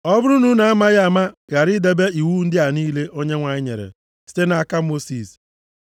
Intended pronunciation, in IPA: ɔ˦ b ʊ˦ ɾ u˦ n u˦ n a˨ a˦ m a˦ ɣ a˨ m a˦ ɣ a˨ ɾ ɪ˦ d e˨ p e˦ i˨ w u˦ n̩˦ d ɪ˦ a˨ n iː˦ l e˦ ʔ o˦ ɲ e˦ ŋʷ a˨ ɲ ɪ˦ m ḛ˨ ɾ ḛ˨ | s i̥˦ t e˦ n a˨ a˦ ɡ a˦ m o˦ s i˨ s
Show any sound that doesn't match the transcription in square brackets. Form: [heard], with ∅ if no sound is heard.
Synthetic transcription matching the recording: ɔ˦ b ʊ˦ ɾ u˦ n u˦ n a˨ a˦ m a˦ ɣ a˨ m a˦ ɣ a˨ ɾ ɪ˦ d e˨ [b] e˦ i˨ w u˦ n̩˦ d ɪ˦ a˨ n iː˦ l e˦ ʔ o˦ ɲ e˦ ŋʷ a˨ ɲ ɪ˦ [ɲ] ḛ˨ ɾ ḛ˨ | s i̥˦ t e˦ n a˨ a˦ [k] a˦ m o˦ s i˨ s